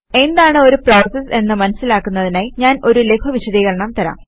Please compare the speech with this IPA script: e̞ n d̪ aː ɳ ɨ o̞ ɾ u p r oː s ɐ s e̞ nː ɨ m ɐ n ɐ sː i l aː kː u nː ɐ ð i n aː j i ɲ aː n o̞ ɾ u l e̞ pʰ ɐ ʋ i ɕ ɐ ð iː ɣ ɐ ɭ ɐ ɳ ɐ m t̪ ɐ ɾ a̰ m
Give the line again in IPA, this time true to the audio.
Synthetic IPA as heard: e̞ n d̪ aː ɳ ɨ o̞ ɾ u p r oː s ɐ s e̞ nː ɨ m ɐ n ɐ sː i l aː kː u nː ɐ ð i n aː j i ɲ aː n o̞ ɾ u l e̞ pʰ ɐ ʋ i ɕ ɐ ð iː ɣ ɐ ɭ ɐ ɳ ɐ m t̪ ɐ ɾ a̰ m